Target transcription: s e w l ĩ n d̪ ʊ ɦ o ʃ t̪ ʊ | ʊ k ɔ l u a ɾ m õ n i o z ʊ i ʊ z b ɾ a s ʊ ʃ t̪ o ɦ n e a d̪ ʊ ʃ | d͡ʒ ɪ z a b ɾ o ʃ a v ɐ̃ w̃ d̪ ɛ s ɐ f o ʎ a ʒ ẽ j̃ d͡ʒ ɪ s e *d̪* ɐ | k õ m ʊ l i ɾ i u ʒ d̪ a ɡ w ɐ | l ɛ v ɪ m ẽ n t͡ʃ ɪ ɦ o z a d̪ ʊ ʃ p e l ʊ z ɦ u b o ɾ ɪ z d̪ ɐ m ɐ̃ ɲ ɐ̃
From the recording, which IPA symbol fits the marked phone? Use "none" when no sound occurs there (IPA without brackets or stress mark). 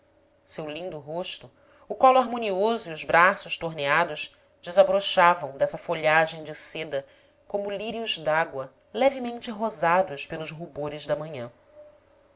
d̪